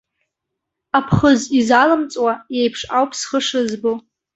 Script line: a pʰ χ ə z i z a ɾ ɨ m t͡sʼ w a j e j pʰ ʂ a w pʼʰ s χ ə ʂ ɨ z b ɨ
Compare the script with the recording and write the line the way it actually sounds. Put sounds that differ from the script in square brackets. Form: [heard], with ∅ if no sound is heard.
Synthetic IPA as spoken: a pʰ χ ə z i z a [l] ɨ m t͡sʼ w a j e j pʰ ʂ a w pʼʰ s χ ə ʂ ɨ z b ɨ